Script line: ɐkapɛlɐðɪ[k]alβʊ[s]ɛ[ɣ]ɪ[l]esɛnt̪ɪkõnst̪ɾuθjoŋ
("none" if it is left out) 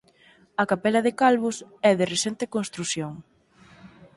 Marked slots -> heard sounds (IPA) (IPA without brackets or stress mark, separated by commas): k, s, ð, r